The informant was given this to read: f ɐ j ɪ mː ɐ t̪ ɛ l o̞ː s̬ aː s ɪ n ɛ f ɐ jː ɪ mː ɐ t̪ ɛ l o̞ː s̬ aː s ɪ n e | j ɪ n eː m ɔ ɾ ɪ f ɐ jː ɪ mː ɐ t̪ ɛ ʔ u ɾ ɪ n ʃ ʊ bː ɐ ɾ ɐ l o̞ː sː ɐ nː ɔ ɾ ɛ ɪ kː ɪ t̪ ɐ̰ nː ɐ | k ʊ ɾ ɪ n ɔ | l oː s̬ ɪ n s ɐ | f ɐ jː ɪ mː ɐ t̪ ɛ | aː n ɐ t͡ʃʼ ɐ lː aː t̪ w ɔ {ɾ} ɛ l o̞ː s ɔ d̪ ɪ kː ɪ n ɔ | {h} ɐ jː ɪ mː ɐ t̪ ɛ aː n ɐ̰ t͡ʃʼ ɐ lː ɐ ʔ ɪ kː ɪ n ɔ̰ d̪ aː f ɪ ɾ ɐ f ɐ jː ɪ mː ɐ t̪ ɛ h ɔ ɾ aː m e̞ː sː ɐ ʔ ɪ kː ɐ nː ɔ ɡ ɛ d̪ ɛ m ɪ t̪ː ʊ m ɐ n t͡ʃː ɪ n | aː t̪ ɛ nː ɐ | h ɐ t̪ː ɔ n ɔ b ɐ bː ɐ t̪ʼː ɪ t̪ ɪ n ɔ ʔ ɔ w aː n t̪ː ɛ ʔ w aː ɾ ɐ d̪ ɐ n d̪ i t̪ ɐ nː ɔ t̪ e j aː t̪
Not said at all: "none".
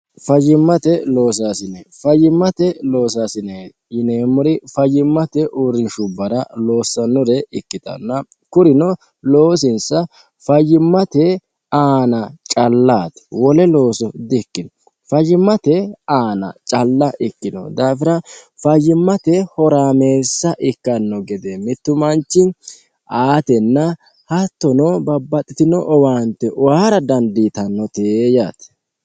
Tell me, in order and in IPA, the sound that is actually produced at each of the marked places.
l, f

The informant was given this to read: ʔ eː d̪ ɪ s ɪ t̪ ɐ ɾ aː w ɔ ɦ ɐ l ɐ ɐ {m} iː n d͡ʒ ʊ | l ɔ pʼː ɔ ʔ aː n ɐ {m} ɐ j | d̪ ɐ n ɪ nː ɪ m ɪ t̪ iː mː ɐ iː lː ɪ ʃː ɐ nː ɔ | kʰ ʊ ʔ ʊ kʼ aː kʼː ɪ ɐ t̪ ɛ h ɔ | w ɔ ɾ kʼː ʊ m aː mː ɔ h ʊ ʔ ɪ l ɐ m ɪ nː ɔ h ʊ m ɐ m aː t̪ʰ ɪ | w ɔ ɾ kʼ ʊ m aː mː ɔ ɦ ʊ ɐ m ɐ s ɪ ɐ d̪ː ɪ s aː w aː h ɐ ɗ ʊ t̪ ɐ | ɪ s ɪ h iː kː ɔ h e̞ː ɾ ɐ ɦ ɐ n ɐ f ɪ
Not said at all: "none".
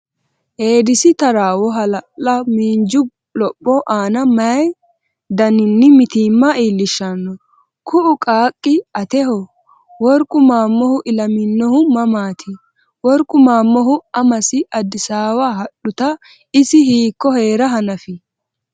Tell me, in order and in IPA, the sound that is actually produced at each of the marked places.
m, m

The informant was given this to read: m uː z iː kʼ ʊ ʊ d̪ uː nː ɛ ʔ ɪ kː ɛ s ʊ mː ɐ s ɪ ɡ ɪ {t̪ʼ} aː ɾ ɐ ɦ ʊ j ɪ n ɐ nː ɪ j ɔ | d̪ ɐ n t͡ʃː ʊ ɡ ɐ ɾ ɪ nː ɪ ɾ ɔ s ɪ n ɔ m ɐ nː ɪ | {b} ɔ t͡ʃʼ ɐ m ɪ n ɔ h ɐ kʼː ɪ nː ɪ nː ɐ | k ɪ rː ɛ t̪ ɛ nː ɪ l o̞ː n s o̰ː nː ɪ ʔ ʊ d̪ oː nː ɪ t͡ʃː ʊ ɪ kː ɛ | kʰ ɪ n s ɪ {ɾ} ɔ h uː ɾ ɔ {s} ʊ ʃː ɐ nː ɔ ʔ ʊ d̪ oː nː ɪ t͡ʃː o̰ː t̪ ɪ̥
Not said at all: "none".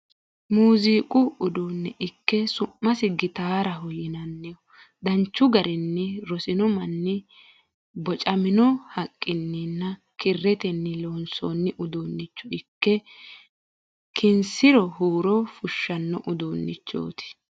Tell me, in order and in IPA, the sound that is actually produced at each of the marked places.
t̪, b, ɾ, f

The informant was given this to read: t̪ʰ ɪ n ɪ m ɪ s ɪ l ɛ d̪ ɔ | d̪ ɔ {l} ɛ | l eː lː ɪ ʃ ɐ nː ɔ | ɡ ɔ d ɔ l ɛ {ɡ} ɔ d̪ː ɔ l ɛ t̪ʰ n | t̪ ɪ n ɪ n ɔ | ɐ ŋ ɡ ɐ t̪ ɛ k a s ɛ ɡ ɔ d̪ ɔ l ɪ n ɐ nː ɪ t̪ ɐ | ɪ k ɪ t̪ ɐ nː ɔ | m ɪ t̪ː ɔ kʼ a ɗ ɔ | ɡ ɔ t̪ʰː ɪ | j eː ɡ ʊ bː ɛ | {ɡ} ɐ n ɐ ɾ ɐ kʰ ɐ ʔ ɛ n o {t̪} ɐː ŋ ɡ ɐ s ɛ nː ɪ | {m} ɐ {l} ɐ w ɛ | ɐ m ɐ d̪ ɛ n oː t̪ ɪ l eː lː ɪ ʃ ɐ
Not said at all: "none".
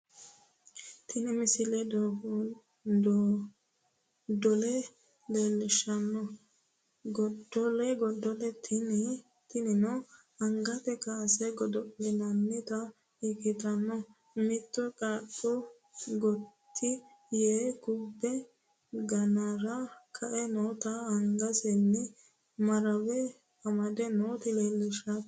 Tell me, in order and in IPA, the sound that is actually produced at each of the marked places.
l, ɡ, ɡ, t̪, m, ɾ

